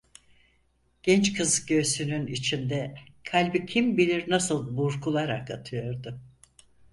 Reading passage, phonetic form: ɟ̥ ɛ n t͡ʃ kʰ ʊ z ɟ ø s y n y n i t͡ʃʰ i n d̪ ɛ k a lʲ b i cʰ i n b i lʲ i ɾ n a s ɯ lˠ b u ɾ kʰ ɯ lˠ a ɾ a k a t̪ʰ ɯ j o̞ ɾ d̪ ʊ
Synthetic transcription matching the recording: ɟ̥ ɛ n t͡ʃ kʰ ɯ z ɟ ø s y n y n i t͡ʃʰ i n d̪ ɛ kʰ a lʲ b i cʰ i m b i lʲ i ɾ n a s ɯ lˠ b u ɾ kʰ u lˠ a ɾ a k a t̪ʰ ɯ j o̞ ɾ d̪ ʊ